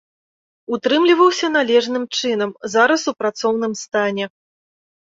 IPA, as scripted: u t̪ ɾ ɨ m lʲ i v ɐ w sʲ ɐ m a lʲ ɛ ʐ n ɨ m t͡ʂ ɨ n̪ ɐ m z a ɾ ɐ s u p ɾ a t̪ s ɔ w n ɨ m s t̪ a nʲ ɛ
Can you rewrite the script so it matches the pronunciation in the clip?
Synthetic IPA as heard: u t̪ ɾ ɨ m lʲ i v ɐ w sʲ ɐ n a lʲ ɛ ʐ n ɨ m t͡ʂ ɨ n̪ ɐ m z a ɾ ɐ s u p ɾ a t̪ s ɔ w n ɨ m s t̪ a nʲ ɛ

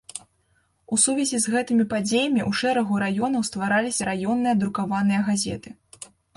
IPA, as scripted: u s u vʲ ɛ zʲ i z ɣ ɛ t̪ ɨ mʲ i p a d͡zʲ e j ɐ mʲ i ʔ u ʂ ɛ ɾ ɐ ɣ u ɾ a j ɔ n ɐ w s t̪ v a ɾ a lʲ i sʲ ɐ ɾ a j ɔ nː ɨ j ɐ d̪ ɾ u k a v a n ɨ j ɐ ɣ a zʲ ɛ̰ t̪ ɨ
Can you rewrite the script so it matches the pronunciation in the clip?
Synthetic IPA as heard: u s u vʲ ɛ zʲ i z ɣ ɛ t̪ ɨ mʲ i p a d͡zʲ e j ɐ mʲ i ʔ u ʂ ɛ ɾ ɐ ɣ u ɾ a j ɔ n ɐ w s t̪ v a ɾ a lʲ i sʲ ɐ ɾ a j ɔ nː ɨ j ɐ d̪ ɾ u k a v a n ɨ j ɐ ɣ a zʲ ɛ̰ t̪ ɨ

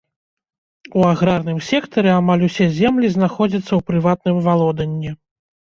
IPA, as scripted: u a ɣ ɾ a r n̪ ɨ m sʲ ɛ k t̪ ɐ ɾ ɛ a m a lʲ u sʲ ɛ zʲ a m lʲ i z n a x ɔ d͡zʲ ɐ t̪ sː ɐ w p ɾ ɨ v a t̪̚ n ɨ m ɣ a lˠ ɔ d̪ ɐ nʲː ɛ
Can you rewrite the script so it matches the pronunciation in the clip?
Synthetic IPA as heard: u a ɣ ɾ a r n̪ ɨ m sʲ ɛ k t̪ ɐ ɾ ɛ a m a lʲ u sʲ ɛ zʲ ɛ m lʲ i z n a x ɔ d͡zʲ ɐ t̪ sː ɐ w p ɾ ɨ v a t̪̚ n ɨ m v a lˠ ɔ d̪ ɐ nʲː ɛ

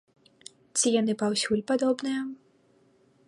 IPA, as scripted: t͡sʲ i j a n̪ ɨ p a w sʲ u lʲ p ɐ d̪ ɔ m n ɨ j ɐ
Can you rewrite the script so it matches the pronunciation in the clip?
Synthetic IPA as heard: t͡sʲ i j a n̪ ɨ p a w sʲ u lʲ p a d̪ ɔ b n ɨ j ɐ

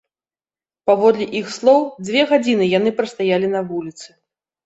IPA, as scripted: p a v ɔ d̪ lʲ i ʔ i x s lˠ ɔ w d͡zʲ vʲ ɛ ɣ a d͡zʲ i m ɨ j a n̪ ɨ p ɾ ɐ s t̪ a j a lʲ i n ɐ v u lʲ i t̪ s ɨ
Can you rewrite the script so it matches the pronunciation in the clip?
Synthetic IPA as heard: p a v ɔ d̪ lʲ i ʔ i x s lˠ ɔ w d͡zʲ vʲ ɛ ɣ a d͡zʲ i n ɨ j a n̪ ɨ p ɾ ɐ s t̪ a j a lʲ i n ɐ v u lʲ i t̪ s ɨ

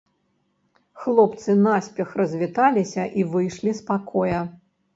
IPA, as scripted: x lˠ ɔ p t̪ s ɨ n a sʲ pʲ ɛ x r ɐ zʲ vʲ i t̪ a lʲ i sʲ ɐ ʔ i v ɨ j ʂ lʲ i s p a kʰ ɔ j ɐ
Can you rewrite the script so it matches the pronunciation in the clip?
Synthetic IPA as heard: x lˠ ɔ p t̪ s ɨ n a sʲ pʲ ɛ x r ɐ zʲ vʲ i t̪ a lʲ i sʲ ɐ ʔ i v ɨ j ʂ lʲ i s p a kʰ ɔ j ɐ

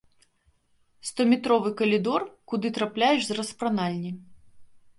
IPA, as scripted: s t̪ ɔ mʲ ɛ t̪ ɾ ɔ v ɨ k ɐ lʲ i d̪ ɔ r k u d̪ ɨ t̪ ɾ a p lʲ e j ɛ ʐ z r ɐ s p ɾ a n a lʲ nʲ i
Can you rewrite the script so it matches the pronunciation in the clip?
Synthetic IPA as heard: s t̪ ɔ mʲ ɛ t̪ ɾ ɔ v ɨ k ɐ lʲ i d̪ ɔ r k u d̪ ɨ t̪ ɾ a p lʲ a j ɛ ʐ z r ɐ s p ɾ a n a lʲ nʲ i

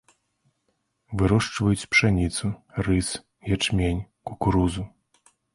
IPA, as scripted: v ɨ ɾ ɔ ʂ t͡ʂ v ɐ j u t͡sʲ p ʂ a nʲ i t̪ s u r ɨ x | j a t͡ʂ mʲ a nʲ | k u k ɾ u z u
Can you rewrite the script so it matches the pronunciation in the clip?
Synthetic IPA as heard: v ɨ ɾ ɔ ʂ t͡ʂ v ɐ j u t͡sʲ p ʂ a nʲ i t̪ s u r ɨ s | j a t͡ʂ mʲ e nʲ | k u k ɾ u z u

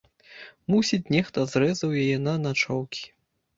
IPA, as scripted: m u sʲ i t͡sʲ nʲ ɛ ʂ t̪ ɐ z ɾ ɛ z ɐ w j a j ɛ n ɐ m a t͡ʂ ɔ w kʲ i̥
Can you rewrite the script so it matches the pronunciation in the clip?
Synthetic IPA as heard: m u sʲ i t͡sʲ nʲ ɛ x t̪ ɐ z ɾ ɛ z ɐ w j a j ɛ n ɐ n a t͡ʂ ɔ w kʲ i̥

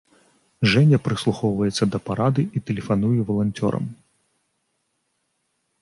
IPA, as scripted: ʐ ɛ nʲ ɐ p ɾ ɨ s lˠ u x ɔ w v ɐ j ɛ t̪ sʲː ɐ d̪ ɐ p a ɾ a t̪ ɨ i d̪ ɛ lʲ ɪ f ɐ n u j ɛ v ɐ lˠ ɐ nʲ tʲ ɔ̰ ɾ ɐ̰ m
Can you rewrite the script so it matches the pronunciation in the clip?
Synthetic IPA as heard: ʐ ɛ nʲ ɐ p ɾ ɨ s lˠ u x ɔ w v ɐ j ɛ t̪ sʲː ɐ d̪ ɐ p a ɾ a d̪ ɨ i t̪ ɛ lʲ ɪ f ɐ n u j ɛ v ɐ lˠ ɐ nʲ tʲ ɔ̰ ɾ ɐ̰ m

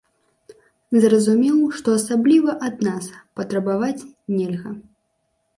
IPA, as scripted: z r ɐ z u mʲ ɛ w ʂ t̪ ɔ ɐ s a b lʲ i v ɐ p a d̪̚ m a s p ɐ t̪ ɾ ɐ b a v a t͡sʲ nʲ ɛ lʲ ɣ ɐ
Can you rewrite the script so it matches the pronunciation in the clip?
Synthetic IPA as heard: z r ɐ z u mʲ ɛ w ʂ t̪ ɔ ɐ s a b lʲ i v ɐ ʔ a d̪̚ n a s p ɐ t̪ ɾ ɐ b a v a t͡sʲ nʲ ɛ lʲ ɣ ɐ

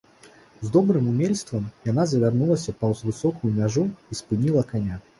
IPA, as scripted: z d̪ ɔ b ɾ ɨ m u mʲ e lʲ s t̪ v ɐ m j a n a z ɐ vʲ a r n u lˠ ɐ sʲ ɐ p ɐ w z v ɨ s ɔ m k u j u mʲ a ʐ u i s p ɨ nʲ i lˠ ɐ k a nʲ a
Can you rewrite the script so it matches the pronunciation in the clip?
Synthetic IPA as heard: z d̪ ɔ b ɾ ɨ m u mʲ e lʲ s t̪ v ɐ m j a n a z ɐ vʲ a r n u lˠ ɐ sʲ ɐ p ɐ w z v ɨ s ɔ k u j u mʲ a ʐ u i s p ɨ nʲ i lˠ ɐ k a nʲ a

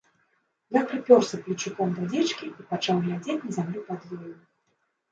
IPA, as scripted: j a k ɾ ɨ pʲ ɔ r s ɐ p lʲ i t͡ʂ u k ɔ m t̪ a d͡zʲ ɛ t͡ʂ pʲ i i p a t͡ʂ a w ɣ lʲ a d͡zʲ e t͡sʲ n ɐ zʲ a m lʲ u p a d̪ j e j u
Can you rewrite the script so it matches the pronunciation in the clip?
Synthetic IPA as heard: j a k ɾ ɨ pʲ ɔ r s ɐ p lʲ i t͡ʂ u k ɔ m d̪ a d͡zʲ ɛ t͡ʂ kʲ i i p a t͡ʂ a w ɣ lʲ a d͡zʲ e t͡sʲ n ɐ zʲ a m lʲ u p a d̪ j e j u

